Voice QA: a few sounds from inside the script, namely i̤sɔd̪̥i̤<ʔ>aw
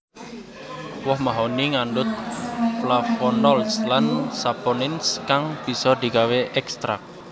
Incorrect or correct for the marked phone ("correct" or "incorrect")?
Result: incorrect